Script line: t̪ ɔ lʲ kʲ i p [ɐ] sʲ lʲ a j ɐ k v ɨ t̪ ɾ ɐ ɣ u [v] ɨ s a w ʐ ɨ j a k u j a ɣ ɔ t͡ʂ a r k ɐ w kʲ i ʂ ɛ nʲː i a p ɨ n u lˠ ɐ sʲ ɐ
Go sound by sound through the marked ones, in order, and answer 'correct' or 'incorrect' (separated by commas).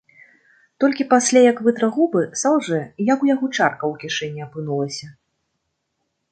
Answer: incorrect, incorrect